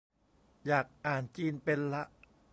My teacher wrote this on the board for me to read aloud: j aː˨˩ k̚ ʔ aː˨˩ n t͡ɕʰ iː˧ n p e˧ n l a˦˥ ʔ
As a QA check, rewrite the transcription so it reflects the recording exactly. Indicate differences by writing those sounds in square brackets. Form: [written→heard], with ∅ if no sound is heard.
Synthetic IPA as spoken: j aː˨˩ k̚ ʔ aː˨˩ n [t͡ɕʰ→t͡ɕ] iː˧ n p e˧ n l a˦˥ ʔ